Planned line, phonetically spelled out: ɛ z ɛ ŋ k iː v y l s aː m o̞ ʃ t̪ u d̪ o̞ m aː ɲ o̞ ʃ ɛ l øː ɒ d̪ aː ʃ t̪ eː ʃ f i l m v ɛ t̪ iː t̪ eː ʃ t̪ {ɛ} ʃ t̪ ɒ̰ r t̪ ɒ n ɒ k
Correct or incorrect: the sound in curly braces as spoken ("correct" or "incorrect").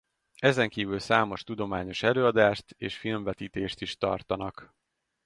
incorrect